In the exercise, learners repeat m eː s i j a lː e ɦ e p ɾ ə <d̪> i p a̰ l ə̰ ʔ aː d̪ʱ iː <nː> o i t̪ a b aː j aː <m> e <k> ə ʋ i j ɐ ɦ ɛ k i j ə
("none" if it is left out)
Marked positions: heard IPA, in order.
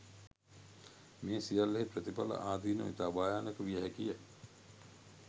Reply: t̪, n, n, k

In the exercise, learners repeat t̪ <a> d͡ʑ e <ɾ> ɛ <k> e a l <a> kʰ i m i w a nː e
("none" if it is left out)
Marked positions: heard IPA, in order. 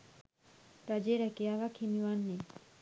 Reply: a, ɾ, k, a

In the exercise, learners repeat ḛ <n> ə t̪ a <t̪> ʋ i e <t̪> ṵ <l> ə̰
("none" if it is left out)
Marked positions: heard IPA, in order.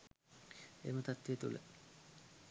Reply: m, t̪, t̪, l

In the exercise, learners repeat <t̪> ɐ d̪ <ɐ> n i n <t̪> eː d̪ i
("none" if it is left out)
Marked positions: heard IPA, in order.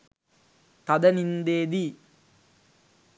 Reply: t̪, ɐ, d̪

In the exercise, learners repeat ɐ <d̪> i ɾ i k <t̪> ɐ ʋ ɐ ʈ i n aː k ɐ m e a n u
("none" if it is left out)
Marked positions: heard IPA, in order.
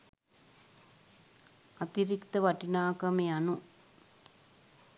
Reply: t̪, t̪

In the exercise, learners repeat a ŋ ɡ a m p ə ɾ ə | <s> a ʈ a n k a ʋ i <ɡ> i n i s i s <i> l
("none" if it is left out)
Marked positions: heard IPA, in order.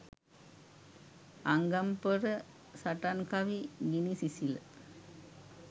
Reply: s, ɡ, i

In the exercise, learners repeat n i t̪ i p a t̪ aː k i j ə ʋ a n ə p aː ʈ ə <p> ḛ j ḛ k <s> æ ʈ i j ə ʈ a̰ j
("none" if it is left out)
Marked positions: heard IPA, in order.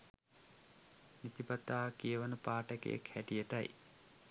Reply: k, h

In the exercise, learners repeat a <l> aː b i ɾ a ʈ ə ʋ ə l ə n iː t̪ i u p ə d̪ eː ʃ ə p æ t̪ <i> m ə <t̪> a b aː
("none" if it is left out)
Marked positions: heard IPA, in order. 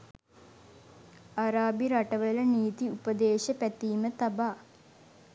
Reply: ɾ, iː, t̪

